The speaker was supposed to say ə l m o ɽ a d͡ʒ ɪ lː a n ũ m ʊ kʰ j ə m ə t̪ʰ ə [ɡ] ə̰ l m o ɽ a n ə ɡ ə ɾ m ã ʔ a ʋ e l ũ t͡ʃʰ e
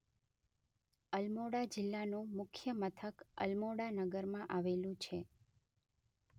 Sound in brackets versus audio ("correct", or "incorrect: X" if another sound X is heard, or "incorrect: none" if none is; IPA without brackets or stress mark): incorrect: k